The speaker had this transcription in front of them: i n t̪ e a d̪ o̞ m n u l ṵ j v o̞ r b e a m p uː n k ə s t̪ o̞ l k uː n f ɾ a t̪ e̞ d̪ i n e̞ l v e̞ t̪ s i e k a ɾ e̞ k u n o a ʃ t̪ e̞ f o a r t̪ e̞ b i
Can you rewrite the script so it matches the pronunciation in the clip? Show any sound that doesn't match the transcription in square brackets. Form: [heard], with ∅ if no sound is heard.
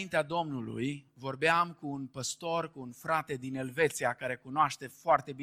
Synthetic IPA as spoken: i n t̪ e a d̪ o̞ m n u l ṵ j v o̞ r b e a m [k] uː n [p] ə s t̪ o̞ [r] k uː n f ɾ a t̪ e̞ d̪ i n e̞ l v e̞ t̪ s i [a] k a ɾ e̞ k u n o a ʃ t̪ e̞ f o a r t̪ e̞ b i